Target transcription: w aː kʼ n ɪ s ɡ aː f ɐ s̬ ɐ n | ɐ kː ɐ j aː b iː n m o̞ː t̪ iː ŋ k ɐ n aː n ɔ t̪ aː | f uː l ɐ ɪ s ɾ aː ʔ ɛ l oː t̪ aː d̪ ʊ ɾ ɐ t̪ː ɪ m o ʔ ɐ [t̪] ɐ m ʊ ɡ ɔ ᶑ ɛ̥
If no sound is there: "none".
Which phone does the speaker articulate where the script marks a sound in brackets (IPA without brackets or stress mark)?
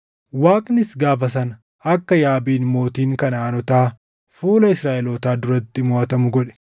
t̪